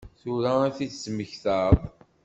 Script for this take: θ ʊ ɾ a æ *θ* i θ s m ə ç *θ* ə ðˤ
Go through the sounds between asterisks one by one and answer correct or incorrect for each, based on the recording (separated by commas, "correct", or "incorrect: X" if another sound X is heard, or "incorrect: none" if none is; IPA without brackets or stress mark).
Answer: correct, correct